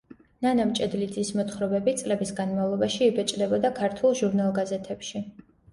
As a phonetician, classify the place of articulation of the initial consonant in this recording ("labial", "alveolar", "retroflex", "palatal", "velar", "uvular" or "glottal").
alveolar